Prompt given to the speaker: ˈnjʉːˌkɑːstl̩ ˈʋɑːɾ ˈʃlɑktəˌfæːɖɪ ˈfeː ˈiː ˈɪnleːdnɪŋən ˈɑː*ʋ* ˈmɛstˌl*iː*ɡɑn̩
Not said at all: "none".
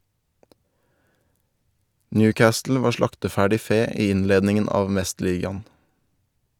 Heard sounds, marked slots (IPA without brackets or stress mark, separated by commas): ʋ, iː